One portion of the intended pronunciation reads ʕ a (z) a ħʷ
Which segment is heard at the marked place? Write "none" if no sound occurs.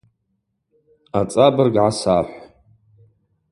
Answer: s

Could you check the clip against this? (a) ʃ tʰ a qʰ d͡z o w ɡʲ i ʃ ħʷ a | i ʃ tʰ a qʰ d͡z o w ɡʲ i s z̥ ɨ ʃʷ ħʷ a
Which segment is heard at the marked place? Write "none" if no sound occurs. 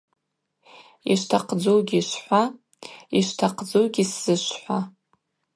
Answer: i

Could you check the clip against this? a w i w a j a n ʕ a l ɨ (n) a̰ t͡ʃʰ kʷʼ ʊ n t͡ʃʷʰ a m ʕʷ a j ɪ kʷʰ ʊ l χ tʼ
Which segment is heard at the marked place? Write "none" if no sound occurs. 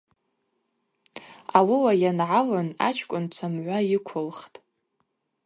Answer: n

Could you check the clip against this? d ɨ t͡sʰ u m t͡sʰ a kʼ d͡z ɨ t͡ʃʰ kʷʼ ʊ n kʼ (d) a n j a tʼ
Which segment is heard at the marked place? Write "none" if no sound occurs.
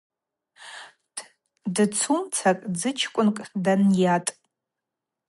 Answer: d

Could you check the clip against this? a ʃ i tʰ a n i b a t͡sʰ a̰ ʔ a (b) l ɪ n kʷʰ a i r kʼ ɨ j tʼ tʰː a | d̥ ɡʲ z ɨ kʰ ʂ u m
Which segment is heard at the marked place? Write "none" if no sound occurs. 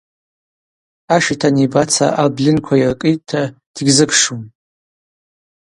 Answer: b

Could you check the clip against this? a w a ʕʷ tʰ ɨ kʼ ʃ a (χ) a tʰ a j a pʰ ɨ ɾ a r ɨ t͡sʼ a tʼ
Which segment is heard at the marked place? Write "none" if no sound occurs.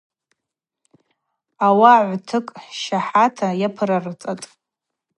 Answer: ħ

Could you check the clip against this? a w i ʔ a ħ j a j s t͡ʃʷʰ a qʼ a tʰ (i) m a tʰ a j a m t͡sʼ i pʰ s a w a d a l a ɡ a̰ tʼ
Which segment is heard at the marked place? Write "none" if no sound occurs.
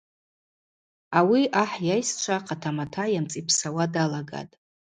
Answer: a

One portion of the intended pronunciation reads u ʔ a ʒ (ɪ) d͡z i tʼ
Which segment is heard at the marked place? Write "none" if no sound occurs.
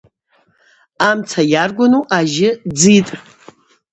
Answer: ɪ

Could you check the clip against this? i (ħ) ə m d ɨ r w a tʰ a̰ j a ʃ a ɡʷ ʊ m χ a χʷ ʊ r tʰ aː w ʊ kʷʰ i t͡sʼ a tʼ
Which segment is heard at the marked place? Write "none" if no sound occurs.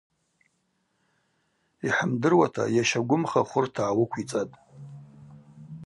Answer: ħ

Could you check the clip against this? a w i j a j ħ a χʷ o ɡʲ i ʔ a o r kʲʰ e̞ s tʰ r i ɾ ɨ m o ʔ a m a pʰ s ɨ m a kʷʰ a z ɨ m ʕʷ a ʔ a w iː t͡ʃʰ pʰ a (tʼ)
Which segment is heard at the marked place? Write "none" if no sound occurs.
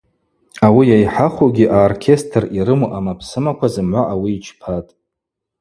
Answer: tʼ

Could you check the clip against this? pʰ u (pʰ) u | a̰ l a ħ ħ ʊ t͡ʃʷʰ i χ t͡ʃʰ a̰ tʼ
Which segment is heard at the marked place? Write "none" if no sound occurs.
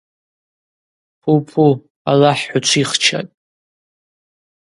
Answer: pʰ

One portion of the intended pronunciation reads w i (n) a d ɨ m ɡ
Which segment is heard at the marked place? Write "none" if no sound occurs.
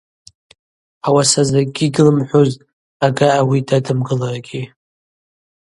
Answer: d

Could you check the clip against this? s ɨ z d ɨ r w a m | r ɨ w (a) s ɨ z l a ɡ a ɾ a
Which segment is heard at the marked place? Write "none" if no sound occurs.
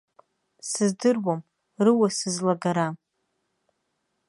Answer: a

